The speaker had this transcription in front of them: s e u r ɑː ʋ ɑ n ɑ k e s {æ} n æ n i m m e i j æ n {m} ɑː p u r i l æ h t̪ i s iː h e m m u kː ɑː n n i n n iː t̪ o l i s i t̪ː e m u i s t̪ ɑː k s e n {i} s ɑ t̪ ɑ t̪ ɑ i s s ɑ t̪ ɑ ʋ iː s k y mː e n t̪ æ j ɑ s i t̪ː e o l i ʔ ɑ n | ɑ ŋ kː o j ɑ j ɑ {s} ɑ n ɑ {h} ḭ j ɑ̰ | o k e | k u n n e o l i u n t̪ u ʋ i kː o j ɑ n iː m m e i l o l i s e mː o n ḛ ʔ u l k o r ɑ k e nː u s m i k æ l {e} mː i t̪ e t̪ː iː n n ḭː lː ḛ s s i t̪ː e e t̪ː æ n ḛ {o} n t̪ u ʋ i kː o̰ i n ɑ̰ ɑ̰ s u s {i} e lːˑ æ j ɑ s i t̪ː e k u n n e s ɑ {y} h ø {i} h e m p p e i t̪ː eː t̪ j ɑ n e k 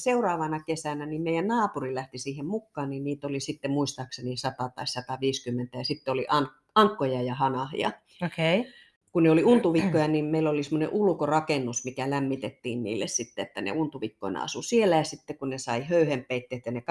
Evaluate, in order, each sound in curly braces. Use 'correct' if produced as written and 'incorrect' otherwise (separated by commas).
correct, incorrect, correct, incorrect, correct, incorrect, incorrect, correct, incorrect, incorrect